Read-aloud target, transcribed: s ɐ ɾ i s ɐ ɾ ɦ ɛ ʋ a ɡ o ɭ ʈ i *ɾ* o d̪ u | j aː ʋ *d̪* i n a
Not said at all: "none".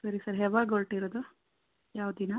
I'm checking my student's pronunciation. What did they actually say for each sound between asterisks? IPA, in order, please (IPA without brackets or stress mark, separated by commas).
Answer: ɾ, d̪